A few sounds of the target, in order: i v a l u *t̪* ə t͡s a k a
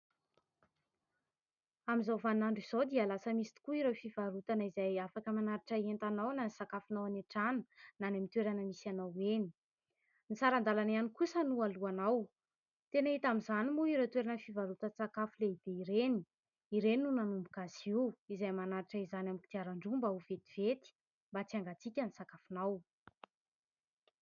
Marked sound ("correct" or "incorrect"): correct